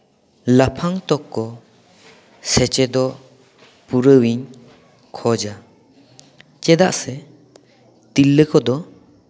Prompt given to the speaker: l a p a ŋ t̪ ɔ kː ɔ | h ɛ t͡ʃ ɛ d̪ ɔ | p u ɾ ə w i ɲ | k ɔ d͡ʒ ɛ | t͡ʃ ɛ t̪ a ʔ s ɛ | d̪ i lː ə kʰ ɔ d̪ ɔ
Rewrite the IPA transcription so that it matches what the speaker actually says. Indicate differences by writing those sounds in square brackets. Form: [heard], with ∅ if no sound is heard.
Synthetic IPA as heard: l a [pʰ] a ŋ t̪ ɔ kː ɔ | [s] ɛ t͡ʃ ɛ d̪ ɔ | p u ɾ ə w i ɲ | [kʰ] ɔ d͡ʒ [a] | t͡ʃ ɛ [d̪] a ʔ s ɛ | [t̪] i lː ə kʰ ɔ d̪ ɔ